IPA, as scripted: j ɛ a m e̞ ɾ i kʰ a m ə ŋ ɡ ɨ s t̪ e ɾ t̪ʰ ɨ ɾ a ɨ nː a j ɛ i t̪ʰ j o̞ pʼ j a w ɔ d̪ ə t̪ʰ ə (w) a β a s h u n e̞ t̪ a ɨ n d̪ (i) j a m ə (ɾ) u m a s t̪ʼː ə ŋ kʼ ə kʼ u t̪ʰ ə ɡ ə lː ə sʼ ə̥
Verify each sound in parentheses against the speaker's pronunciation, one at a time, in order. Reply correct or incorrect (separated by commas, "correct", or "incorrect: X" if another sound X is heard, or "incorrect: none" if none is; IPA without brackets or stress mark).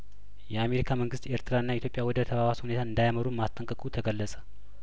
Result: incorrect: β, incorrect: a, correct